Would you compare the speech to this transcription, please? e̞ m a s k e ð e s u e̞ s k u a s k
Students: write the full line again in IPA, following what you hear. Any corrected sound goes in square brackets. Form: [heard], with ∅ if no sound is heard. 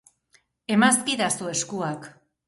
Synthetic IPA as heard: e̞ m a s k [i] ð [a] s u e̞ s k u a [∅] k